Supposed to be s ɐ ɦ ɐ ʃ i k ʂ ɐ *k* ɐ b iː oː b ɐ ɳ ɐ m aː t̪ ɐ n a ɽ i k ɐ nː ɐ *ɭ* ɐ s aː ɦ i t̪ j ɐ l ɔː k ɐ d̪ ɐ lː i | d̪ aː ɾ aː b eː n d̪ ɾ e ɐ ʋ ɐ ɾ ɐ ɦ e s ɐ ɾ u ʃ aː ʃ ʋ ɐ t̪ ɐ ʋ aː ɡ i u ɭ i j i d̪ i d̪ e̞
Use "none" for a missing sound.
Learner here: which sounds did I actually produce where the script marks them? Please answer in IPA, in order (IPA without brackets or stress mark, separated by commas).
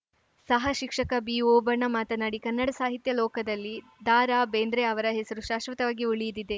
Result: k, ɽ